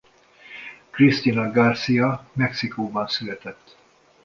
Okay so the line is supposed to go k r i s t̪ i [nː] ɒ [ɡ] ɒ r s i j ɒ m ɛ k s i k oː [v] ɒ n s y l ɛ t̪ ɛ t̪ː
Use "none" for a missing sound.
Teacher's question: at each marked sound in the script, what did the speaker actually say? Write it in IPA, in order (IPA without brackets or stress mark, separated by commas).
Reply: n, ɡ, b